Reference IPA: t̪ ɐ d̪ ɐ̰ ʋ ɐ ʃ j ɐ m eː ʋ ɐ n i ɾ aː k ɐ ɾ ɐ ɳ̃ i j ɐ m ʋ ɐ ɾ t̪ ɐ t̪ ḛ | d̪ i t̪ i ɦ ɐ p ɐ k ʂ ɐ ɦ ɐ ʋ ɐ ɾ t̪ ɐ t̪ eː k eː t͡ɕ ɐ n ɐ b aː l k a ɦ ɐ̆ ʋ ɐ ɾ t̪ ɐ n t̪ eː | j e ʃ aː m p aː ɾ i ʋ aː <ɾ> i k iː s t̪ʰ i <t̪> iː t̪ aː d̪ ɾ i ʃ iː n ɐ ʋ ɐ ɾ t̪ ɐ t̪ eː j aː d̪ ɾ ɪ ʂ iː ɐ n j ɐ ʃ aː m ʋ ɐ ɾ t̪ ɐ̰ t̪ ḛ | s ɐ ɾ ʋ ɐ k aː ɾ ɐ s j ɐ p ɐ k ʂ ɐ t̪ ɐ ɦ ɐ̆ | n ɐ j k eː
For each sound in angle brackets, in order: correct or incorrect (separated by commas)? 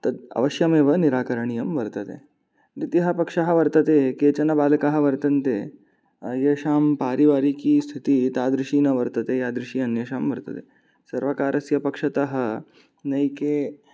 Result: correct, correct